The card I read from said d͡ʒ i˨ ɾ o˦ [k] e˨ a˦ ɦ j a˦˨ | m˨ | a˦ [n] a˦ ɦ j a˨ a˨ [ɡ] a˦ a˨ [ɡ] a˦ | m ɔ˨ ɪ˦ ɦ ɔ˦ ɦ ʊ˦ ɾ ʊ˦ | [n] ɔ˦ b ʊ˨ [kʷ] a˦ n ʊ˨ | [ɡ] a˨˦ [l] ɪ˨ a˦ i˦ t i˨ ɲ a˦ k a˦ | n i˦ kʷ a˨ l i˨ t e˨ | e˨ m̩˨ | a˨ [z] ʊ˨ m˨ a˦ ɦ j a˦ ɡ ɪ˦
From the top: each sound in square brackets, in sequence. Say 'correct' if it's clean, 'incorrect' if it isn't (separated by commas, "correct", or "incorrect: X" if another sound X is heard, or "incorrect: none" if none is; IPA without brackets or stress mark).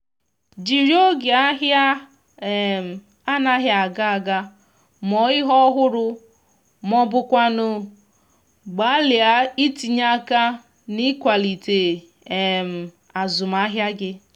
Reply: incorrect: ɡ, correct, correct, correct, incorrect: m, correct, incorrect: ɡ͡b, correct, correct